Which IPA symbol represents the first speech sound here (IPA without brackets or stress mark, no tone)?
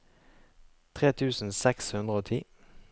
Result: t̪ʰ